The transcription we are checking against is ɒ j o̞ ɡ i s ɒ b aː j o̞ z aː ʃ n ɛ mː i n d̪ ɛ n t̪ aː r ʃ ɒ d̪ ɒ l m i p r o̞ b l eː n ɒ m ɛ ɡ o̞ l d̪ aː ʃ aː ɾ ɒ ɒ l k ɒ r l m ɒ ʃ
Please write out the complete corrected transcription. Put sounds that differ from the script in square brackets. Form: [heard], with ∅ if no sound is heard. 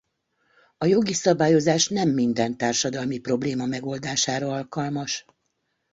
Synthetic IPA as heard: ɒ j o̞ ɡ i s ɒ b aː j o̞ z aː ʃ n ɛ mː i n d̪ ɛ n t̪ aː r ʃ ɒ d̪ ɒ l m i p r o̞ b l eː [m] ɒ m ɛ ɡ o̞ l d̪ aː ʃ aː ɾ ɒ ɒ l k ɒ [∅] l m ɒ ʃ